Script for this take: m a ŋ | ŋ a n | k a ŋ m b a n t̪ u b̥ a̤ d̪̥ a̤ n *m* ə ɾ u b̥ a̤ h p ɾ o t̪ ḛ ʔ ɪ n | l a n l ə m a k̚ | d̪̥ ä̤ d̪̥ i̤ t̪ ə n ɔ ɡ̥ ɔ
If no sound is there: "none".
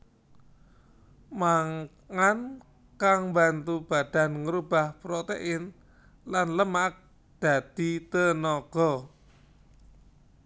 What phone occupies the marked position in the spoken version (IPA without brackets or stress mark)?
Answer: ŋ